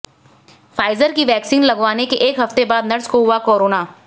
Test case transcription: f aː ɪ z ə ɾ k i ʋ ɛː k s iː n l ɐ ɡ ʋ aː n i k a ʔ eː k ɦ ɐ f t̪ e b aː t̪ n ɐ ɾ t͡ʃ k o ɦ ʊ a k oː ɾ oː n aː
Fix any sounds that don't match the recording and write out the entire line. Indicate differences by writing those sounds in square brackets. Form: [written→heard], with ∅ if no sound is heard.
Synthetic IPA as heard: f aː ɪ z ə ɾ k i ʋ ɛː k s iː n l ɐ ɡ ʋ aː n [i→e] k [a→e] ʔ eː k ɦ ɐ f t̪ e b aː [t̪→d̪] n ɐ ɾ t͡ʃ k o ɦ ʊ a k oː ɾ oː n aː

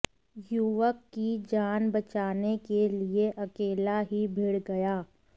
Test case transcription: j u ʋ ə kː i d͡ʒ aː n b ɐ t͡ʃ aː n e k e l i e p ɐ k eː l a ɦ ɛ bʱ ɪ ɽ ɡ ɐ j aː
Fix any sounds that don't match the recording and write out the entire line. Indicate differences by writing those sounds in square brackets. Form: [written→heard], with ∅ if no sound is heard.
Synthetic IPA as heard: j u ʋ ə kː i d͡ʒ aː n b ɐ t͡ʃ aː n e k e l i e [p→ʔ] ɐ k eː l a ɦ [ɛ→i] bʱ ɪ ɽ ɡ ɐ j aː

